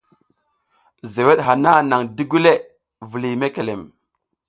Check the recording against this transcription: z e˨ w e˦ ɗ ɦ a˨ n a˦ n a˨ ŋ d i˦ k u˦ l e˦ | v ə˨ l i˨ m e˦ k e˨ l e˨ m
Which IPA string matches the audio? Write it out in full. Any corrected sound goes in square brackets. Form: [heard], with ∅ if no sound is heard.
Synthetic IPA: z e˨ w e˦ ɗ ɦ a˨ n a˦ n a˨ ŋ d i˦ [ɡ] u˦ l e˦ | v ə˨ l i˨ m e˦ k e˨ l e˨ m